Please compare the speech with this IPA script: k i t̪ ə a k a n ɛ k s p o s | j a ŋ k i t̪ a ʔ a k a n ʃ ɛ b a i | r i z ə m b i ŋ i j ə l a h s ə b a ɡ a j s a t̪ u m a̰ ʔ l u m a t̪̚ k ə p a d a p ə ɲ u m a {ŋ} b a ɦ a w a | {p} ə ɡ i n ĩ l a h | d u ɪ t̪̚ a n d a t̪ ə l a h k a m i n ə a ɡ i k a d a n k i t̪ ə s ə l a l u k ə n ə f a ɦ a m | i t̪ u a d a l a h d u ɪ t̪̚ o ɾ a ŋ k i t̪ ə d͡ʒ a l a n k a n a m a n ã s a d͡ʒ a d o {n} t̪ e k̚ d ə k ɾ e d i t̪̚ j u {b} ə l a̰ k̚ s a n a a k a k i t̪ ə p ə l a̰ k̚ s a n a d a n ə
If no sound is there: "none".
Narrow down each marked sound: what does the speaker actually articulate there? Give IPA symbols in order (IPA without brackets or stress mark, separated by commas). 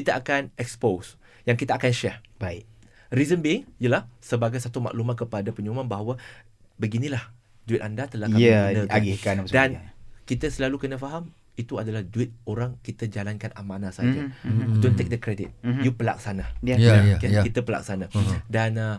n, b, n, p